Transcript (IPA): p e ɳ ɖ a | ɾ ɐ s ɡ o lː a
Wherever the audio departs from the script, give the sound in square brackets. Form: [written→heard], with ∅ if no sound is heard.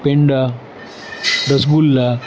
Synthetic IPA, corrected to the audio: p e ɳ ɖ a | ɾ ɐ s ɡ [o→u] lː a